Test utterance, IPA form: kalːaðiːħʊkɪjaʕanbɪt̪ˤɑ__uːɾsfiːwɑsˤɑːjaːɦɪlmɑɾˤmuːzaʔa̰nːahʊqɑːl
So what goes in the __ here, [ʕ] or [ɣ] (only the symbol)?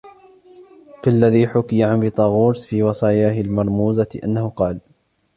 ɣ